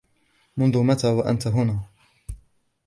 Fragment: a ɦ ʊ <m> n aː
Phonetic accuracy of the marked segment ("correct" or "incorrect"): incorrect